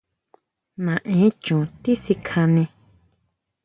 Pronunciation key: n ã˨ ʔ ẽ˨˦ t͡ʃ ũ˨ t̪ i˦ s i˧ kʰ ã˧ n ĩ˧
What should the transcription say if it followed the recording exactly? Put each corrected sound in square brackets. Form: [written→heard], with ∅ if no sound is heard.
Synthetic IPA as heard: n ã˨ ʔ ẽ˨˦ t͡ʃ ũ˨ t̪ i˦ s i˧ kʰ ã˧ n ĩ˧